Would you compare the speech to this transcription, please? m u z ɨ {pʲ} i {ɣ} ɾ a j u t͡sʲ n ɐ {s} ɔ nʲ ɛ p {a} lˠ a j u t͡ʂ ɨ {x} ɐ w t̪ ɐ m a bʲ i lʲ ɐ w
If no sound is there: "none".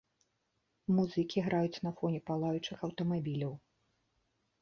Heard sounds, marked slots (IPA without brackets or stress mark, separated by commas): kʲ, ɣ, f, a, x